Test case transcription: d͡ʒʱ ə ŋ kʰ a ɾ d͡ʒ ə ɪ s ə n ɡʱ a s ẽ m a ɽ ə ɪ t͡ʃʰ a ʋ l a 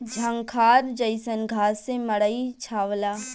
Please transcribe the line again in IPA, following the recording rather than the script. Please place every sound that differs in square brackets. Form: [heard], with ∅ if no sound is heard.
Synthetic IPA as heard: d͡ʒʱ ə ŋ kʰ a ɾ d͡ʒ ə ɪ s ə n ɡʱ a s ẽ m [ə] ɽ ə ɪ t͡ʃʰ a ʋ l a